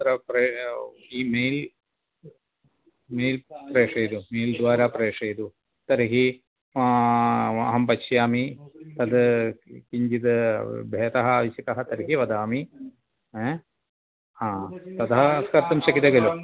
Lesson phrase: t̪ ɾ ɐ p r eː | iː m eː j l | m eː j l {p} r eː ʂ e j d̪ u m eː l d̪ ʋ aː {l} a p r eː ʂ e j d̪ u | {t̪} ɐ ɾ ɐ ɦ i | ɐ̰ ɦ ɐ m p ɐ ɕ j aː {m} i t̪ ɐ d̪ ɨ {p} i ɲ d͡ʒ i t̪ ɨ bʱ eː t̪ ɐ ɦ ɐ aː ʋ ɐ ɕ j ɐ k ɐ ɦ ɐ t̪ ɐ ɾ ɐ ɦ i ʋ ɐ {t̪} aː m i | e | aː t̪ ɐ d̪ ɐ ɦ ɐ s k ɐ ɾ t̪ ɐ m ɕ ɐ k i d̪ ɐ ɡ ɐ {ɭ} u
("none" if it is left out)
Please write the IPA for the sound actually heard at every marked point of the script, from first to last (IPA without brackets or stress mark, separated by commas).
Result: p, ɾ, t̪, m, k, d̪, l